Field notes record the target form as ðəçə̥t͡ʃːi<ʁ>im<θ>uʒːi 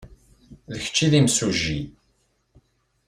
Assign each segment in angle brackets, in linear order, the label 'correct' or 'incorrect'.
incorrect: ð, incorrect: s

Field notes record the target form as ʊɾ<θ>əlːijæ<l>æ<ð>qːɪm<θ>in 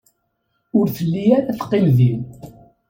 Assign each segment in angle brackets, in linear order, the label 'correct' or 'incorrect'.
correct, incorrect: ɾ, incorrect: θ, incorrect: ð

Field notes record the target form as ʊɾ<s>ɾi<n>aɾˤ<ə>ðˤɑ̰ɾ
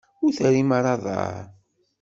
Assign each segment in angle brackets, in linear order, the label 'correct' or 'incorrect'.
incorrect: θ, incorrect: m, incorrect: ɑ

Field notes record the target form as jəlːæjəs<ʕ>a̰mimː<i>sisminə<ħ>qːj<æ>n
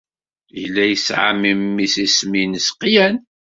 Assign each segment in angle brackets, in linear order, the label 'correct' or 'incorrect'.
correct, correct, incorrect: s, correct

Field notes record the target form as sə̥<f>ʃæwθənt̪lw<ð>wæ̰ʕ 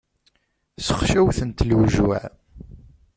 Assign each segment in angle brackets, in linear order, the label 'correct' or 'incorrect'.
incorrect: χ, incorrect: ʒ

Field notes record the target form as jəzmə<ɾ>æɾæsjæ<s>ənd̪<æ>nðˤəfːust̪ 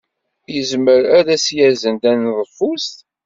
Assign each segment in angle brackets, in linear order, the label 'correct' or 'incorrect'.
correct, incorrect: z, correct

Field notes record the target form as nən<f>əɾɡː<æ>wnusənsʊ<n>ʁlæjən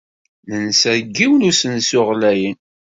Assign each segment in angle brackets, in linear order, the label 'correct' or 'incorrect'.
incorrect: s, incorrect: i, incorrect: none

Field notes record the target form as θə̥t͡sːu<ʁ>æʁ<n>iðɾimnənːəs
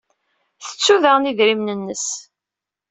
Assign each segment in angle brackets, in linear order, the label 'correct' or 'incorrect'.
incorrect: ð, correct

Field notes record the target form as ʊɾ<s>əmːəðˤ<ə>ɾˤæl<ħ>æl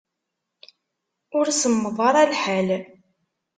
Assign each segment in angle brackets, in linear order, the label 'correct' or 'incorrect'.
correct, incorrect: ɑ, correct

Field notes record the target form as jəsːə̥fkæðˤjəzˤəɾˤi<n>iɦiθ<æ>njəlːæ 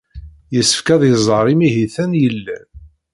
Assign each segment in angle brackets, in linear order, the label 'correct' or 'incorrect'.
incorrect: m, correct

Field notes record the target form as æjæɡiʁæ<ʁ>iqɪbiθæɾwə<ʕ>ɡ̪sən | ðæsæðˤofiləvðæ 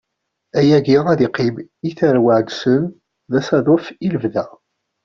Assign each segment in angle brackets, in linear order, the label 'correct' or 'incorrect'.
incorrect: ð, correct

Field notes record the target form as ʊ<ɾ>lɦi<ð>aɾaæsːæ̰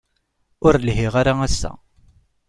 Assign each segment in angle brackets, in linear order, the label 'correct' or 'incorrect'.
correct, incorrect: ʁ

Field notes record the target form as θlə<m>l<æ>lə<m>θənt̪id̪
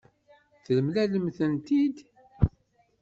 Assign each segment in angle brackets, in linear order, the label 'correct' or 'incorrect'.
correct, correct, correct

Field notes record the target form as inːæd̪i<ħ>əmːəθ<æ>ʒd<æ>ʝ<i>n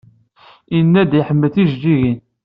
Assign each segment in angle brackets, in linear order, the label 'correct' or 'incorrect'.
correct, incorrect: i, incorrect: i, correct

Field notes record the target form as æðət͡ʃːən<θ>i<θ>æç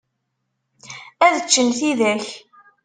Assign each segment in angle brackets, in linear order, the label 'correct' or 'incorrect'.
correct, incorrect: ð

